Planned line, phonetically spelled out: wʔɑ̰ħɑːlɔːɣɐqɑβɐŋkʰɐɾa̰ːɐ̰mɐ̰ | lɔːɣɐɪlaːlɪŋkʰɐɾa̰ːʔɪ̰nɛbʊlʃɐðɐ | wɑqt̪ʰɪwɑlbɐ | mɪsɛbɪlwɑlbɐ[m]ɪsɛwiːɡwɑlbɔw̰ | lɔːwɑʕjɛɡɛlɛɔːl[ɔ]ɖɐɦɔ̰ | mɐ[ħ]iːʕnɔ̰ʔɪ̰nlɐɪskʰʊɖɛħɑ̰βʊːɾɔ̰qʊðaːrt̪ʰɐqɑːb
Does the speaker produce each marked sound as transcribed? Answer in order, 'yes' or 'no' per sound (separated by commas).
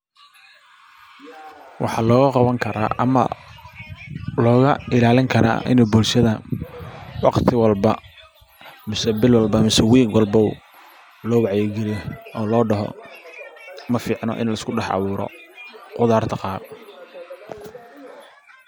yes, no, no